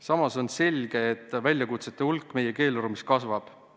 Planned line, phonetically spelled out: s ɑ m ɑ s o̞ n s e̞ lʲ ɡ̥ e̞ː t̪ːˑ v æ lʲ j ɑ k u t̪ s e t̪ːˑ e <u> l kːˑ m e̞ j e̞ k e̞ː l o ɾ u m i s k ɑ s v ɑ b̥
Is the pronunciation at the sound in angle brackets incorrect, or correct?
correct